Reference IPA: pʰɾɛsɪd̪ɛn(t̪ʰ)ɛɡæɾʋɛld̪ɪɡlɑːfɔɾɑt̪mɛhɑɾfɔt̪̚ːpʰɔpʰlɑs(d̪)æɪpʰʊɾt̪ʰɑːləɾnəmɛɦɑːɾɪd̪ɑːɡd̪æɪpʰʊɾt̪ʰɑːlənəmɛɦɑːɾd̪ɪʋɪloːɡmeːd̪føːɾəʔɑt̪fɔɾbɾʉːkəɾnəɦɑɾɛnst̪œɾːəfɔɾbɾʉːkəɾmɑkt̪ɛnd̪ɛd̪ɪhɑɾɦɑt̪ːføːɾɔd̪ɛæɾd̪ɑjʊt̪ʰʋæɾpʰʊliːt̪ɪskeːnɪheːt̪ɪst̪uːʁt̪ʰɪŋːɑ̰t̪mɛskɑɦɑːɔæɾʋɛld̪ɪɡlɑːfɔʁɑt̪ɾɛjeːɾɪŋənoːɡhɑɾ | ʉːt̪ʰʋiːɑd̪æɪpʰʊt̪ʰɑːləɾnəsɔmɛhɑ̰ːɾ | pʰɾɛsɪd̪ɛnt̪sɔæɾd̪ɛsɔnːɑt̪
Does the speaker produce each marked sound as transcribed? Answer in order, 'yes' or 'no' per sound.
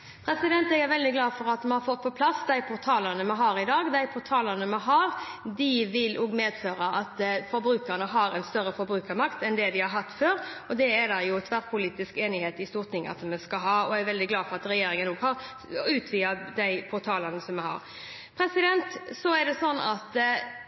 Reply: no, yes

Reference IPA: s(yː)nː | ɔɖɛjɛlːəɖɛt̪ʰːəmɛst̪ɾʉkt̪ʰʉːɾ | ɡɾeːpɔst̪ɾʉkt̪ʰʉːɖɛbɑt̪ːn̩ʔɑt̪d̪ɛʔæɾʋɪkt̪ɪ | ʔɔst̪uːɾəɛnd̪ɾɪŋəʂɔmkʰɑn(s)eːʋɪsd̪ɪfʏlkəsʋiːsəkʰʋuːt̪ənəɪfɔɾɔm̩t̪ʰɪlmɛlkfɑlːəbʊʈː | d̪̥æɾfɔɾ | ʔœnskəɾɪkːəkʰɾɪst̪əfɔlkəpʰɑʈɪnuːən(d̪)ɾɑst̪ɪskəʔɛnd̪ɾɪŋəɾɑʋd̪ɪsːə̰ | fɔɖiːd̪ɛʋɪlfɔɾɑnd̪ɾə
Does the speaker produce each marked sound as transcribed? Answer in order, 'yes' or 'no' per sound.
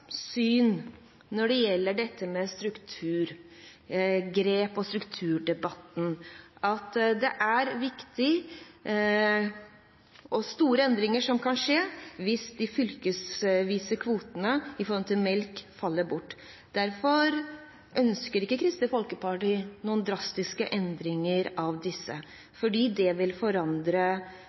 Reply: yes, no, yes

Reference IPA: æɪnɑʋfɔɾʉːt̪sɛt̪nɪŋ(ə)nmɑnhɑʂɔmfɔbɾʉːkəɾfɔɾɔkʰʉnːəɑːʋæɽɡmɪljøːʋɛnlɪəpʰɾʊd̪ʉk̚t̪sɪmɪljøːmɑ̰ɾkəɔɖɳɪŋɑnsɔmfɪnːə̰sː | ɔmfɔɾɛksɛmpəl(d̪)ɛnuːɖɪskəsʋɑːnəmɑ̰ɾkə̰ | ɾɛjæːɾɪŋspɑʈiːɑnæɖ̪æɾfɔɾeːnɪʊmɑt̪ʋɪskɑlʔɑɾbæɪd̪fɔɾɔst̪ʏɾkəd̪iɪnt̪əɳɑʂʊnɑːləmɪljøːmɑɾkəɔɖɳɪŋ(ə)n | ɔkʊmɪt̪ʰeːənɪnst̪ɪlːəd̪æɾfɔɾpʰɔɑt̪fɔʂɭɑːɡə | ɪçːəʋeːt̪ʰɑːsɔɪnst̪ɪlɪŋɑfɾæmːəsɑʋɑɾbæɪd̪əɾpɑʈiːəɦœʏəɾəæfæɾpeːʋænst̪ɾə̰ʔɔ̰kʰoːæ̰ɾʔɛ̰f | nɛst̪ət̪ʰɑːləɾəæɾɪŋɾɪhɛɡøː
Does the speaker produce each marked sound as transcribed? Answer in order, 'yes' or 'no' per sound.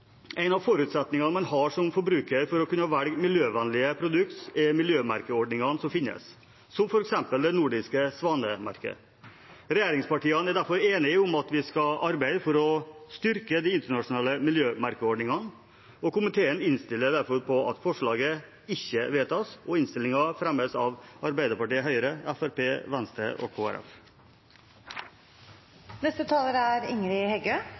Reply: no, yes, no

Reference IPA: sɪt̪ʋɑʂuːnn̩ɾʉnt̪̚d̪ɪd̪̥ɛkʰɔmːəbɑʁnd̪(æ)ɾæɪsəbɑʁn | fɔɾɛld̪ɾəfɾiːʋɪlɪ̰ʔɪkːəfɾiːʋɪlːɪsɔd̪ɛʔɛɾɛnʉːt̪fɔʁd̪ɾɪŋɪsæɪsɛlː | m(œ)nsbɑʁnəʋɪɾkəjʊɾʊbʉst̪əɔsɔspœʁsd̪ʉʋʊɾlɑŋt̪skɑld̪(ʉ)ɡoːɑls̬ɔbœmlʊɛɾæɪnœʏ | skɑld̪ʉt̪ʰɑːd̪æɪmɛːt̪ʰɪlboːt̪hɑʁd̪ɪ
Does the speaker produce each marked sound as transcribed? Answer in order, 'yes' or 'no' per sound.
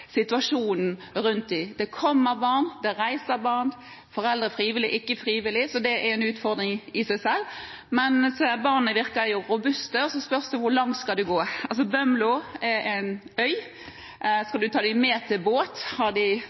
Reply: no, no, yes

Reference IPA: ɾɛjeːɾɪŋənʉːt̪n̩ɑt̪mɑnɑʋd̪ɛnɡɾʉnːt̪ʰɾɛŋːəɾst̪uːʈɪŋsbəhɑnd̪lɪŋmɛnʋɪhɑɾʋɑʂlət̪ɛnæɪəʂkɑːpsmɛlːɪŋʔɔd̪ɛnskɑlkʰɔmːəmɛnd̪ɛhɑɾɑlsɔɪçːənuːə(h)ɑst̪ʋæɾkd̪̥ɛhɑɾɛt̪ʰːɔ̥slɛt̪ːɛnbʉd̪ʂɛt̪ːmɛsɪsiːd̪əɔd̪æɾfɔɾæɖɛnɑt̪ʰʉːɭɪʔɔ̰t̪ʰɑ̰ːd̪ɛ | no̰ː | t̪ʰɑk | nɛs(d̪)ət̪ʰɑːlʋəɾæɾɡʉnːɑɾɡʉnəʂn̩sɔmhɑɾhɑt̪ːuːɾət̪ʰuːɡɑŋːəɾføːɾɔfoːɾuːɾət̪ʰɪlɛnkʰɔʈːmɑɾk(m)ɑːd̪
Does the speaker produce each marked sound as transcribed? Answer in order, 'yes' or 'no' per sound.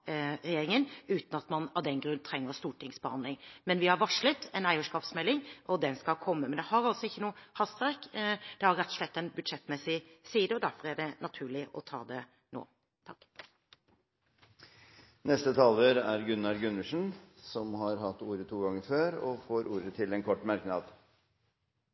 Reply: yes, no, no

